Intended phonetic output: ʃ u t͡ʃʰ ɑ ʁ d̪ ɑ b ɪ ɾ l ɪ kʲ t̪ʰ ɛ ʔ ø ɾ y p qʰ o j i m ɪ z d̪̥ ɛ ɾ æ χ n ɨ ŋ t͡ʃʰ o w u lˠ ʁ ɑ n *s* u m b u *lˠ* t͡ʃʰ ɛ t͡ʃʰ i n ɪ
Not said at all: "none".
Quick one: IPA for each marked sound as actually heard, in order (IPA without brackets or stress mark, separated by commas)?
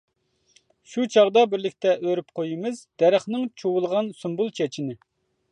s, lˠ